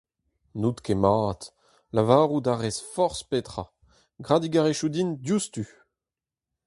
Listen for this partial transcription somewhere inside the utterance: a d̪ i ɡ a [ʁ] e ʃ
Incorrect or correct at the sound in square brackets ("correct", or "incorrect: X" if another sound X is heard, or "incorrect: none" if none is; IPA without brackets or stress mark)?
correct